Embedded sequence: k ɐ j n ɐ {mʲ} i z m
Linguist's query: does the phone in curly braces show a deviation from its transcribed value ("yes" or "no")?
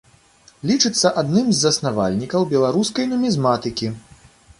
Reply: no